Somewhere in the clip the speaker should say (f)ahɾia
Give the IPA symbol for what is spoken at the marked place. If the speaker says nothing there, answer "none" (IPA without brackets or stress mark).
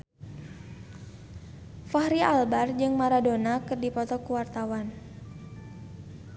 f